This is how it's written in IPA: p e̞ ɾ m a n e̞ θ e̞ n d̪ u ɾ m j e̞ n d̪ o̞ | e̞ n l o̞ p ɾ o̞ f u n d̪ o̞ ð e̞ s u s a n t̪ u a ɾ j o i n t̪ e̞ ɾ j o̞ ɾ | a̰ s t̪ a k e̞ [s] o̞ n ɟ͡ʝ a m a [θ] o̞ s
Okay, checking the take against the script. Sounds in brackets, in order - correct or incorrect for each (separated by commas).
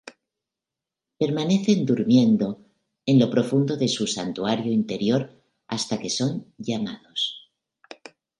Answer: correct, incorrect